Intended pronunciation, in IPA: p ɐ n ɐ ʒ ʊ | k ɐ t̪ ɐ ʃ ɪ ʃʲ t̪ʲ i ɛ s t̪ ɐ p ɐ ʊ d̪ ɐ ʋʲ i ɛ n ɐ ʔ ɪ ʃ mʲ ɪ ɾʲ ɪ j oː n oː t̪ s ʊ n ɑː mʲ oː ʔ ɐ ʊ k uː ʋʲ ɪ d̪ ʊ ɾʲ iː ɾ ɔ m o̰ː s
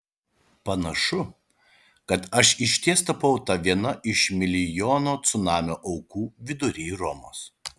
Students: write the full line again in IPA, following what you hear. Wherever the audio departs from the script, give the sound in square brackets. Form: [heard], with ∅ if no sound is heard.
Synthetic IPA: p ɐ n ɐ [ʃ] ʊ | k ɐ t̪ ɐ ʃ ɪ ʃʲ t̪ʲ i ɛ s t̪ ɐ p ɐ ʊ [t̪] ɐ ʋʲ i ɛ n ɐ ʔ ɪ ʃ mʲ ɪ [lʲ] ɪ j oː n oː t̪ s ʊ n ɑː mʲ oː ʔ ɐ ʊ k uː ʋʲ ɪ d̪ ʊ ɾʲ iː ɾ ɔ m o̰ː s

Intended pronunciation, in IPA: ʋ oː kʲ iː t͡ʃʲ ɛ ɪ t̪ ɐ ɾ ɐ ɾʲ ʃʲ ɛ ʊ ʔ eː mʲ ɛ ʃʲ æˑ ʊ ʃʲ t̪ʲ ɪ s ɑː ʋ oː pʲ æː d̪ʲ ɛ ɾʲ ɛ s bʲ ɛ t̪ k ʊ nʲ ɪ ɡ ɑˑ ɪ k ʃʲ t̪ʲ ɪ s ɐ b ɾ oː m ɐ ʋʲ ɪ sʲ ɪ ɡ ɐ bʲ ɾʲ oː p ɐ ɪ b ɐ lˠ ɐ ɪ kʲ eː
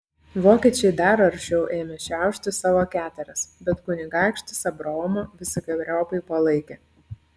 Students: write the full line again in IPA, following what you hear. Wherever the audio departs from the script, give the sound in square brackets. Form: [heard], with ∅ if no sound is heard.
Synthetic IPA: ʋ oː kʲ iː t͡ʃʲ ɛ ɪ [d̪] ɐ ɾ ɐ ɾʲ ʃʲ ɛ ʊ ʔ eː mʲ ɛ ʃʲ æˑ ʊ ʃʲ t̪ʲ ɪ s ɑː ʋ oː [kʲ] æː [t̪ʲ] ɛ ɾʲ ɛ s bʲ ɛ t̪ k ʊ nʲ ɪ ɡ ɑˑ ɪ k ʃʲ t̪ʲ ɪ s ɐ b ɾ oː m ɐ ʋʲ ɪ sʲ ɪ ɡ ɐ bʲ ɾʲ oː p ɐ ɪ [p] ɐ lˠ ɐ ɪ kʲ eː

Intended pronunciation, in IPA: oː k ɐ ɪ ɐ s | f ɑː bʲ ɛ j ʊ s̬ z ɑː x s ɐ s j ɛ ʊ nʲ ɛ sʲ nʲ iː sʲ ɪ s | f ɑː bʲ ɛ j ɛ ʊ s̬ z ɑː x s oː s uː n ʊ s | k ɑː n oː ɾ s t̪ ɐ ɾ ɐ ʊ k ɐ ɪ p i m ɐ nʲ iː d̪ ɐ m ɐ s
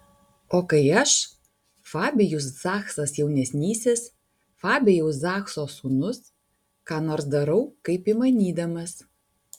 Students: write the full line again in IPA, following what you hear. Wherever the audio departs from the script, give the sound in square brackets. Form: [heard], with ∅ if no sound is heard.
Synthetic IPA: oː k ɐ ɪ ɐ [ʃ] | f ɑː bʲ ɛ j ʊ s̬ z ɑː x s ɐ s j ɛ ʊ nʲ ɛ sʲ nʲ iː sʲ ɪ s | f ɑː bʲ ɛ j ɛ ʊ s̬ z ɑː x s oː s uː n ʊ s | k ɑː n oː ɾ s [d̪] ɐ ɾ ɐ ʊ k ɐ ɪ p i m ɐ nʲ iː d̪ ɐ m ɐ s

